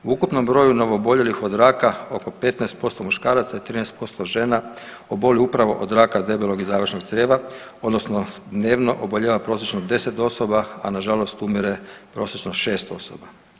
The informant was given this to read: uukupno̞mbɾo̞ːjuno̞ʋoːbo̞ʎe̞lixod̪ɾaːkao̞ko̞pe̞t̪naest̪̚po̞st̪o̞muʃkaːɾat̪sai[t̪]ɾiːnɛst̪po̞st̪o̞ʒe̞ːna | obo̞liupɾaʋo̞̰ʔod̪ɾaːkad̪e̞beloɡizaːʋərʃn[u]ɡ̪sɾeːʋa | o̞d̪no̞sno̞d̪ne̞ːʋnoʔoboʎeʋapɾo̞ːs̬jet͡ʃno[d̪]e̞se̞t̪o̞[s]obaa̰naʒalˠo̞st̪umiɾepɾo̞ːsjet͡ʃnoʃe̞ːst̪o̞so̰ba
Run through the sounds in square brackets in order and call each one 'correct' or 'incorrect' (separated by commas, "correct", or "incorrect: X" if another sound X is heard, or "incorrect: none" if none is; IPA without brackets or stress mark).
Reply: correct, incorrect: o, correct, correct